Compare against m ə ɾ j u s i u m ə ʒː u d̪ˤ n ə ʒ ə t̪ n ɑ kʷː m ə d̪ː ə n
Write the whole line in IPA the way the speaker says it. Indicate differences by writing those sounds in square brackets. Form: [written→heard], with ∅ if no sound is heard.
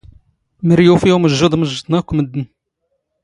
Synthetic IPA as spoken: m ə ɾ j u [s→f] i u m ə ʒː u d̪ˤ [n→m] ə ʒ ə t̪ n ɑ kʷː m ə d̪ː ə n